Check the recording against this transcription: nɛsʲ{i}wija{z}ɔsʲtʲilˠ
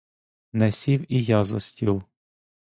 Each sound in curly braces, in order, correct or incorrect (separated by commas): correct, correct